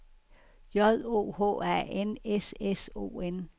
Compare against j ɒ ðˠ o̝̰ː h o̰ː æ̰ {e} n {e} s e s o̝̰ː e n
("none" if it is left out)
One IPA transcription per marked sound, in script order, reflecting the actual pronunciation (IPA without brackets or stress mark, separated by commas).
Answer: e, e